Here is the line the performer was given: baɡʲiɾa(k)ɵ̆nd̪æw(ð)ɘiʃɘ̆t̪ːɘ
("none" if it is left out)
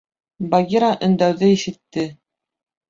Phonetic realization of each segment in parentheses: ʔ, ð

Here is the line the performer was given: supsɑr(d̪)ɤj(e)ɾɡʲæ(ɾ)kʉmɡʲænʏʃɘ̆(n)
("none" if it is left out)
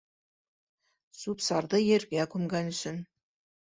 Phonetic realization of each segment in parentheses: d̪, e, none, n

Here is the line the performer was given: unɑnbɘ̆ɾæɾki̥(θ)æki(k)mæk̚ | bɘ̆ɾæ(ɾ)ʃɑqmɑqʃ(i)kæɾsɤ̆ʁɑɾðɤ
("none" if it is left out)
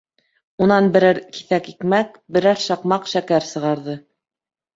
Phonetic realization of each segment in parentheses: θ, k, ɾ, æ

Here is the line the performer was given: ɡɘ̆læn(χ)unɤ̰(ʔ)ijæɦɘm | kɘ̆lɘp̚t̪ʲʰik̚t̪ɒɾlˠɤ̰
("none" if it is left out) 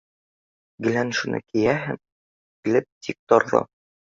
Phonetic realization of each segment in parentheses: ʃ, k

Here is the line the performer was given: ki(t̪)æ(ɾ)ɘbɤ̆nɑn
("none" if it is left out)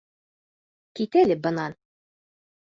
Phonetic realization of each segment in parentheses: t̪, l

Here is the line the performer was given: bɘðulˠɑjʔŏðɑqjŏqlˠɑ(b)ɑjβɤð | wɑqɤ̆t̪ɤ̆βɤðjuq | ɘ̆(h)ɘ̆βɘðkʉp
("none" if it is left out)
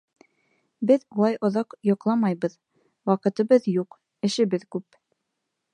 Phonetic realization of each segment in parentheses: m, ʃ

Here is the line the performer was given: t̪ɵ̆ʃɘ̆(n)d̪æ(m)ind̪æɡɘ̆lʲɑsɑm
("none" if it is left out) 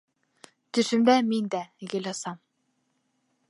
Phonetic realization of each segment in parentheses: m, m

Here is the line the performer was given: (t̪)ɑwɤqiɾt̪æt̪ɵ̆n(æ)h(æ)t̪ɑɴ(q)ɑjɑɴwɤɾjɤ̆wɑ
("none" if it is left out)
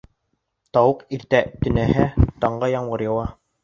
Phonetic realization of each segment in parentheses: t̪, æ, æ, ɢ

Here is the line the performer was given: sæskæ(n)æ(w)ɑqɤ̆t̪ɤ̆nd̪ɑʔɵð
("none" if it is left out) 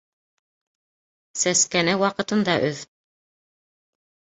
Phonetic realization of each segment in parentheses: n, w

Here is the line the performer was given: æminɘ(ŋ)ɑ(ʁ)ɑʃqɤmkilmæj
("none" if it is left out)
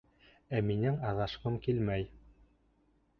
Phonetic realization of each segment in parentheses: ŋ, ð

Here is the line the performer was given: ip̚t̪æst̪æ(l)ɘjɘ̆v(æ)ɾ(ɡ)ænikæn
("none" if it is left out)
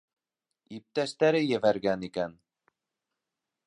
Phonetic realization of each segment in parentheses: ɾ, æ, ɡ

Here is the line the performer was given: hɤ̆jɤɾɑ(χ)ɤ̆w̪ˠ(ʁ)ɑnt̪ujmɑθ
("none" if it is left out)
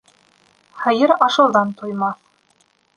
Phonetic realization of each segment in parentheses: ʃ, ð

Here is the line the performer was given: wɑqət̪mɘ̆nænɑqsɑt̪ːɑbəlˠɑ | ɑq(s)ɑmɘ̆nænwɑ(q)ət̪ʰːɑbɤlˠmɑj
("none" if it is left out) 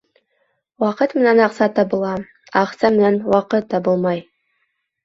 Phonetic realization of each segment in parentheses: s, q

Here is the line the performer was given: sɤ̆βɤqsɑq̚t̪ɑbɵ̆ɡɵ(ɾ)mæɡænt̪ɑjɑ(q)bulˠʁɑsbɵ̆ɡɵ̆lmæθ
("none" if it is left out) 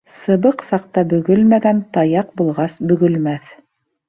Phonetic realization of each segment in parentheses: l, q

